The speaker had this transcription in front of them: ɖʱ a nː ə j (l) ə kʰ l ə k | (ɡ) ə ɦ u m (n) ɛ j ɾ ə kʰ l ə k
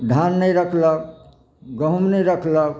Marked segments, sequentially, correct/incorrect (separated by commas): incorrect, correct, correct